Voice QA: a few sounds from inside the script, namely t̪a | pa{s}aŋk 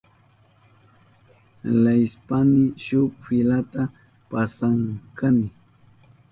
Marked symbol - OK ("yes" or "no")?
yes